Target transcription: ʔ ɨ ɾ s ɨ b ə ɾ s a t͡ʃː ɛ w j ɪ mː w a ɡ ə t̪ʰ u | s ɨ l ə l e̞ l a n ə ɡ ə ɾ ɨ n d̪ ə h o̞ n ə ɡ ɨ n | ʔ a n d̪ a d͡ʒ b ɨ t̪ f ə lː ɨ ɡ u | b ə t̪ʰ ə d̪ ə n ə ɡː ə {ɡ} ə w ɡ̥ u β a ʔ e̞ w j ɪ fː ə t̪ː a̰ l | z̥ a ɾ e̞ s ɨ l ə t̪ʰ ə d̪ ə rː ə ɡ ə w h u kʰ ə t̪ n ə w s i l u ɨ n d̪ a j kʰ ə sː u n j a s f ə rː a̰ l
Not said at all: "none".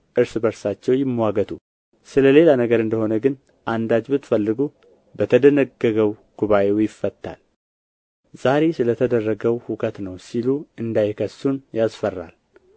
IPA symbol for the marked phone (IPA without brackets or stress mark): ɡ